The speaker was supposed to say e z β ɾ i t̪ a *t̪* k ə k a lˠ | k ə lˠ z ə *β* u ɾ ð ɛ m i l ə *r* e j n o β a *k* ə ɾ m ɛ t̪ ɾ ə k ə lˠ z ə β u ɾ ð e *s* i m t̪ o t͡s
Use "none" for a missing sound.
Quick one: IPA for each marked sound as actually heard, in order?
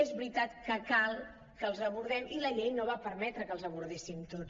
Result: t̪, β, ʎ, p, s

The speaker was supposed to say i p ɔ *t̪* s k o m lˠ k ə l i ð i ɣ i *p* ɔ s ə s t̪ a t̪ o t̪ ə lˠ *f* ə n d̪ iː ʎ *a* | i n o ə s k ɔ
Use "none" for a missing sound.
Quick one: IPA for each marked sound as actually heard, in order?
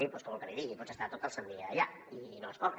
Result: none, p, s, a

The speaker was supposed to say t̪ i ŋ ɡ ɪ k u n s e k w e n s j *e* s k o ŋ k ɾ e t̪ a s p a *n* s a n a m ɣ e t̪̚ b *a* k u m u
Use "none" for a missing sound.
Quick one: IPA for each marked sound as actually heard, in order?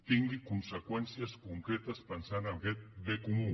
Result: a, n, e

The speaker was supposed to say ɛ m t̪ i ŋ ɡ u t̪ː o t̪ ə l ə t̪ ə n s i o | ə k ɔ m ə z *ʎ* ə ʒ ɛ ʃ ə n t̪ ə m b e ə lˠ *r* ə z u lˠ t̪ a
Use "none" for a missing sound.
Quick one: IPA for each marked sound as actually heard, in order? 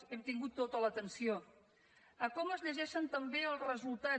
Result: ʎ, r

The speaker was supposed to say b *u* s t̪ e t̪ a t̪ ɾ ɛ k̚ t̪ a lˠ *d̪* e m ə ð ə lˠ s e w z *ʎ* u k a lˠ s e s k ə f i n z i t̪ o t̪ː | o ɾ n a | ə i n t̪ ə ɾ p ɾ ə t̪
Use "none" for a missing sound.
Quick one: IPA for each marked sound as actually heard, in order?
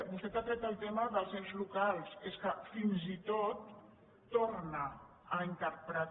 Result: u, t̪, l

